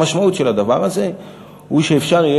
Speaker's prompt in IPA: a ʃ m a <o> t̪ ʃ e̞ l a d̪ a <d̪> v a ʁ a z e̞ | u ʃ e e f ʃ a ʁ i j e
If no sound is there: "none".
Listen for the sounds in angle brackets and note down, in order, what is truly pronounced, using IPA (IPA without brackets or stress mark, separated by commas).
u, none